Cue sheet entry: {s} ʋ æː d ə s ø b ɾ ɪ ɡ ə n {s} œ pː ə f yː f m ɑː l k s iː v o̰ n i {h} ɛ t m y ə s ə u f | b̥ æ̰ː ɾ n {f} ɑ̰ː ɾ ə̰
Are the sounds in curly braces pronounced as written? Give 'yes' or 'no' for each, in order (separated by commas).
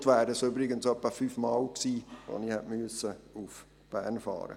no, yes, yes, yes